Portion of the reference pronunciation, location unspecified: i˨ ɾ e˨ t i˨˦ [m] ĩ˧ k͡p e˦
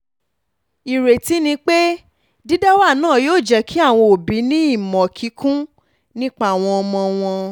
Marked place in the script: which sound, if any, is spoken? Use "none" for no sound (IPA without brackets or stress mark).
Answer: n